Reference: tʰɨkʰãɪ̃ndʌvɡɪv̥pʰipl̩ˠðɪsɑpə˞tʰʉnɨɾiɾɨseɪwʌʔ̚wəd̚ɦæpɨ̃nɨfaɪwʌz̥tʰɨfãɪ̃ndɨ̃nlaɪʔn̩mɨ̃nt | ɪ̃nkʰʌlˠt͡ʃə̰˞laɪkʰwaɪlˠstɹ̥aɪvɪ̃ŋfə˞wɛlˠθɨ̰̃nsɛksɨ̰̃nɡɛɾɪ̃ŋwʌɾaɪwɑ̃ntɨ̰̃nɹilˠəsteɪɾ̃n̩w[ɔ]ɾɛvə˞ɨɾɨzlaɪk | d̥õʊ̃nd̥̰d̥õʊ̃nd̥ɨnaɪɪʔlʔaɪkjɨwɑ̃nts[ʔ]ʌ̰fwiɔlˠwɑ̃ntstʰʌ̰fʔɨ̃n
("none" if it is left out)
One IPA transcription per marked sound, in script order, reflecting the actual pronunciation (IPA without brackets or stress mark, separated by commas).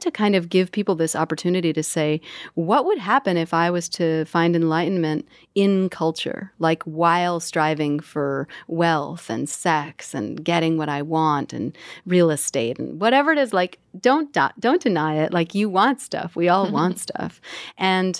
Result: ʌ, t